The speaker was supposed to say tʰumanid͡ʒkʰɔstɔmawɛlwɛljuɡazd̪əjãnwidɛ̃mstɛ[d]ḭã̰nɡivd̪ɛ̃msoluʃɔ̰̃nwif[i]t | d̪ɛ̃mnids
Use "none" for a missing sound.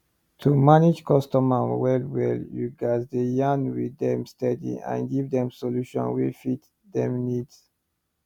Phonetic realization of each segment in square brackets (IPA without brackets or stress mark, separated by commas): d, i